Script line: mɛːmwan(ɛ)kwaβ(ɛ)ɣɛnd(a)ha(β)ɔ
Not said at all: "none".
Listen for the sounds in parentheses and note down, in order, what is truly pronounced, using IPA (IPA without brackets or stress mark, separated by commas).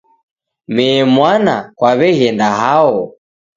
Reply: a, ɛ, a, none